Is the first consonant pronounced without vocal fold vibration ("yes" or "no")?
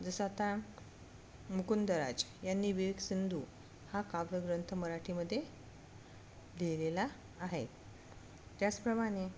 no